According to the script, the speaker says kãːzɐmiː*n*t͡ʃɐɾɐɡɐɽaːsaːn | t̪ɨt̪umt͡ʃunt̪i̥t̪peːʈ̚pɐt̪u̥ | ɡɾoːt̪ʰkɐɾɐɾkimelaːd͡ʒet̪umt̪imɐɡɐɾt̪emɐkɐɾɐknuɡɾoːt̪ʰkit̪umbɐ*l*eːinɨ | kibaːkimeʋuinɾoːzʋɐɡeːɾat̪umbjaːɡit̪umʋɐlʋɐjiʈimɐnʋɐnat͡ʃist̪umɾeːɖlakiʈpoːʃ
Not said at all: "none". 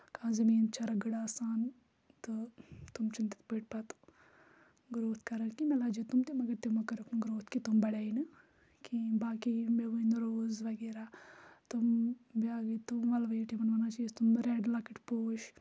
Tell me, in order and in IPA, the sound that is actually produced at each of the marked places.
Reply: n, ɽ

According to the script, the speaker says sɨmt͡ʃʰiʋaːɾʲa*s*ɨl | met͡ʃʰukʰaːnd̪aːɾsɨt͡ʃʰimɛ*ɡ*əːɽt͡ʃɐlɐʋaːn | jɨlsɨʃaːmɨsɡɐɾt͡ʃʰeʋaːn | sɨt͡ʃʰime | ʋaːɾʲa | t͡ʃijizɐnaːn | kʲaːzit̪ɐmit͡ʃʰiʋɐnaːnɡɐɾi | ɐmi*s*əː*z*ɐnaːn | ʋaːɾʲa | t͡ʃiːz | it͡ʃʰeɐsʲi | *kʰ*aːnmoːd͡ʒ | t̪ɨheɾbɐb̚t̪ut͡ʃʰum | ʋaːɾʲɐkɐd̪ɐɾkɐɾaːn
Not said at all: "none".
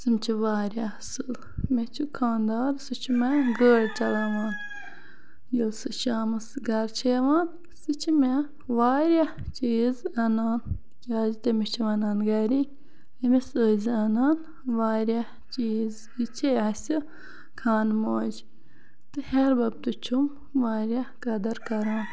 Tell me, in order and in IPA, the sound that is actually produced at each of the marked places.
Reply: s, ɡ, s, z, kʰ

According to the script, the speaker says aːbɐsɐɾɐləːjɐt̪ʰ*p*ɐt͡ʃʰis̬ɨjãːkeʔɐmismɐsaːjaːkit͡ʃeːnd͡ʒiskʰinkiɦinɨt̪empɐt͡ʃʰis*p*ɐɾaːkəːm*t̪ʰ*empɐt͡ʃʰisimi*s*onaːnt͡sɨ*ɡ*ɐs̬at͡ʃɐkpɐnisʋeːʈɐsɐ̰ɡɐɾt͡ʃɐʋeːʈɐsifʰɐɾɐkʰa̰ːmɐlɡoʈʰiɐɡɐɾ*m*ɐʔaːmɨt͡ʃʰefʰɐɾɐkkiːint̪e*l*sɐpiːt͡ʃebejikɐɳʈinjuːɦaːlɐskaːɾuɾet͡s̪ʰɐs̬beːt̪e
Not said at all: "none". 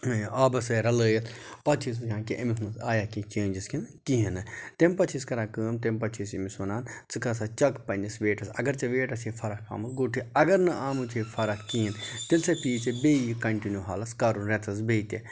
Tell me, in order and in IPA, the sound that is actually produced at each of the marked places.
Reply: p, k, t̪, s, k, n, l

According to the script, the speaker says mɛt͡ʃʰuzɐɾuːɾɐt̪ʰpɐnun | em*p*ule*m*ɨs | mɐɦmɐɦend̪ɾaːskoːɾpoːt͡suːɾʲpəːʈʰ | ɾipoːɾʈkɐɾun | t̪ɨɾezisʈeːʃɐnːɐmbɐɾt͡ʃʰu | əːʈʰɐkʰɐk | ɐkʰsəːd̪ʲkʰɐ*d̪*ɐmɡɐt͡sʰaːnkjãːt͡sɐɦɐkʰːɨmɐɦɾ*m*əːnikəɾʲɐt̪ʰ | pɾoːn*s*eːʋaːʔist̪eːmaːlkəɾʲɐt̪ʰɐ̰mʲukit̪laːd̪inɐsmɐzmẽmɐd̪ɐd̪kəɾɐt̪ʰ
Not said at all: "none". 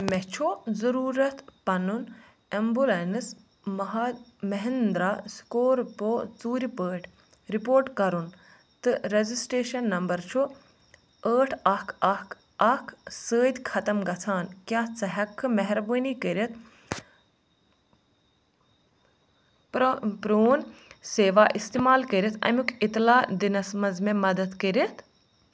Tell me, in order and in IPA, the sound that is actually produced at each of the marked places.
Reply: b, n, t̪, b, s

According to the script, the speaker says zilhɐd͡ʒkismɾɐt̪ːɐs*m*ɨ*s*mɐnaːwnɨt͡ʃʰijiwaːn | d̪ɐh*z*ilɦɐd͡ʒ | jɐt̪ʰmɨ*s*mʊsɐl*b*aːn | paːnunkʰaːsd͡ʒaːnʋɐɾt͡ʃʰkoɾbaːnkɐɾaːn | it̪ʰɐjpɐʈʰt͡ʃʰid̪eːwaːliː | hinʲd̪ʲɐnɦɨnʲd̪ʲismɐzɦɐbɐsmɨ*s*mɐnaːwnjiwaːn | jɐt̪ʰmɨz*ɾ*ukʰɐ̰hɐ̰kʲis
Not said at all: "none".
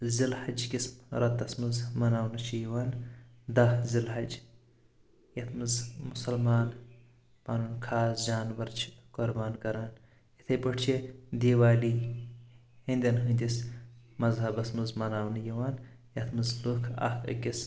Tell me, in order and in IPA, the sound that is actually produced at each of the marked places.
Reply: m, z, z, z, m, z, l

